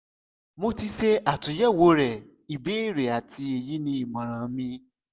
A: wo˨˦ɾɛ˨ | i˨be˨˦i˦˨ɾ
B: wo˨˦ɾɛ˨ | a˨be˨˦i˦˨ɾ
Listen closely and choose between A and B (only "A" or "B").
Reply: A